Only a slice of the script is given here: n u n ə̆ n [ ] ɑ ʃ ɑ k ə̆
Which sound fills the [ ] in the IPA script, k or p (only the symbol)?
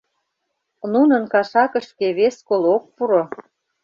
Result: k